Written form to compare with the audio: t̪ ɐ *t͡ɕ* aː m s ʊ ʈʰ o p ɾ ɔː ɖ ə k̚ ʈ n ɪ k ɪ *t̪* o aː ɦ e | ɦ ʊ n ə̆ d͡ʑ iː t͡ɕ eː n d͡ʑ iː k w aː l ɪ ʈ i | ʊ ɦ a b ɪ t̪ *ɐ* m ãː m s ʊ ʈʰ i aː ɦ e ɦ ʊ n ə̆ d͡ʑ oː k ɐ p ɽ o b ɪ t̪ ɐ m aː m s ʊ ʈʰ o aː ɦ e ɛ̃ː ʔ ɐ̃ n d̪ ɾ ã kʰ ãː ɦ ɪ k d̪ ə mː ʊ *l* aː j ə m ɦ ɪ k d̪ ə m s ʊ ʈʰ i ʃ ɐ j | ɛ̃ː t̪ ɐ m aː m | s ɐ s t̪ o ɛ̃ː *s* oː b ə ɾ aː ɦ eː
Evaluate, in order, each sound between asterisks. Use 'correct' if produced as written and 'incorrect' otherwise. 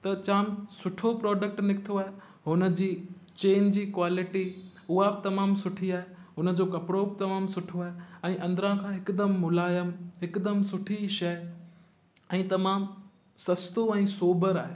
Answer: correct, incorrect, correct, correct, correct

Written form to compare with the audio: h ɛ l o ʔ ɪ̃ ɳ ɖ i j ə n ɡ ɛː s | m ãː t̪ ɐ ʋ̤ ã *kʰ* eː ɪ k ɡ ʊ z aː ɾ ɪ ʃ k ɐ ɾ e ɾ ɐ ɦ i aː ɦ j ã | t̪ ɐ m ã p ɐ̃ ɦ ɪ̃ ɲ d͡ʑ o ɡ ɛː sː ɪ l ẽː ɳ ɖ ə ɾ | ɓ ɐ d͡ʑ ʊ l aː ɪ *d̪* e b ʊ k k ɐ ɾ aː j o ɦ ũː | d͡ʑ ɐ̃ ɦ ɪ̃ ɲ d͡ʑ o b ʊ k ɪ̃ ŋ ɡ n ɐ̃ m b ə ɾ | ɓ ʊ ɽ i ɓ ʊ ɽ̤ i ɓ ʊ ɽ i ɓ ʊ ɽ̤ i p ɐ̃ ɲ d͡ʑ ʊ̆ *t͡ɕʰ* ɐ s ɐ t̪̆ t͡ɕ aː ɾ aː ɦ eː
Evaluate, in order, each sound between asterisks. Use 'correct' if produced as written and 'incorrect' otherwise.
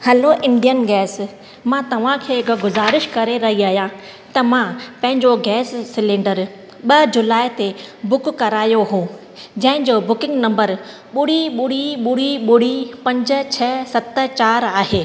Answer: correct, incorrect, correct

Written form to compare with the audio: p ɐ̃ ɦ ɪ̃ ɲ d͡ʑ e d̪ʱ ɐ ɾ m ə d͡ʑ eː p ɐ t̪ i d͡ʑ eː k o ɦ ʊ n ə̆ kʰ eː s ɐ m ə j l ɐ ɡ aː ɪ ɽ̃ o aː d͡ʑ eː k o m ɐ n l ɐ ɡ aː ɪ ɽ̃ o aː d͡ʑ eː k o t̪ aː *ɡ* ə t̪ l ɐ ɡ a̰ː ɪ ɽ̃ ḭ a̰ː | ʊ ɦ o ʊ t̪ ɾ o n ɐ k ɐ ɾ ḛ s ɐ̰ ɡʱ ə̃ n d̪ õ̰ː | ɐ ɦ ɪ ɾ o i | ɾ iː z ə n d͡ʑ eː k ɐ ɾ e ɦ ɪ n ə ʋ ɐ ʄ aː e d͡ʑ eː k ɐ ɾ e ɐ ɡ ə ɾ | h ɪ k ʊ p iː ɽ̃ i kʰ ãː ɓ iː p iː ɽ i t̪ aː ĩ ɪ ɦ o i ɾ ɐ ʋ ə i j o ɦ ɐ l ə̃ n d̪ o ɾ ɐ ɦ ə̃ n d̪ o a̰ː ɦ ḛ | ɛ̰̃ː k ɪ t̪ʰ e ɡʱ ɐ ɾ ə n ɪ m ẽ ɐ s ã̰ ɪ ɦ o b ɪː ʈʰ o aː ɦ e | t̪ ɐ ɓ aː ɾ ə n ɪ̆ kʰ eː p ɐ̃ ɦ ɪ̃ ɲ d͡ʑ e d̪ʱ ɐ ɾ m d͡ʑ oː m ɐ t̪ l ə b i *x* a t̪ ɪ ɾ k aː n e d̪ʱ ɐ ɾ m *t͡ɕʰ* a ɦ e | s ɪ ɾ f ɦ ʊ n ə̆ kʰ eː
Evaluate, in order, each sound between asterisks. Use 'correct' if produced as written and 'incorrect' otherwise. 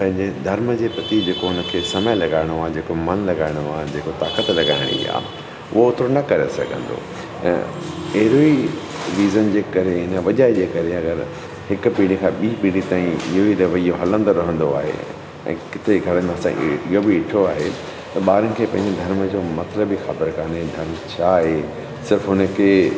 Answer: incorrect, correct, correct

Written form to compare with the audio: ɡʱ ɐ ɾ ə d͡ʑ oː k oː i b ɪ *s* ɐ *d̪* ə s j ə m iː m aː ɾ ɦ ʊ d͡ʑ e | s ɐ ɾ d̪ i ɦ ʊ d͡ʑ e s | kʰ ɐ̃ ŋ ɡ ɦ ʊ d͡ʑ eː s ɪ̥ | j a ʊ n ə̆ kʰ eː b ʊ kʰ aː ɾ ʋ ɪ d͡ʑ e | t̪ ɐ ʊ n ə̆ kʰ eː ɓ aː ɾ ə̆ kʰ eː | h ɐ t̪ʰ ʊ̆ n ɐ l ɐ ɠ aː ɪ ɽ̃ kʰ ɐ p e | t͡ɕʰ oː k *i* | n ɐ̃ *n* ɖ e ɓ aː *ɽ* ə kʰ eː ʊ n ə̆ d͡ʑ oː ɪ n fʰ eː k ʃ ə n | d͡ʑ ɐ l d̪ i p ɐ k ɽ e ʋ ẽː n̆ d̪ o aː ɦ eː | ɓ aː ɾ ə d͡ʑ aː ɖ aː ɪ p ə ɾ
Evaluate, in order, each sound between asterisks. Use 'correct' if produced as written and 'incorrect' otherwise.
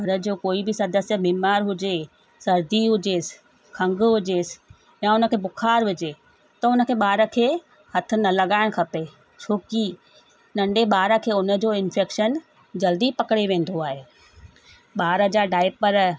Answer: correct, correct, correct, incorrect, incorrect

